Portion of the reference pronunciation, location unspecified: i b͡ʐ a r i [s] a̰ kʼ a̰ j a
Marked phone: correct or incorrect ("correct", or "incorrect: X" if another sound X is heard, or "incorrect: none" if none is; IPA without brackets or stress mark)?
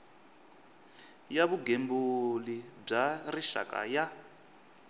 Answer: incorrect: ʃ